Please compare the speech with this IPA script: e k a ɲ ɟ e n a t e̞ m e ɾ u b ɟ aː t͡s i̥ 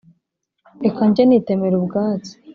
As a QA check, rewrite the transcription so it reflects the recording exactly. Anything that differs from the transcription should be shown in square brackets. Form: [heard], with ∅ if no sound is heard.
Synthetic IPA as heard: e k a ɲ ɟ e n [i] t e̞ m e ɾ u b [ɡ] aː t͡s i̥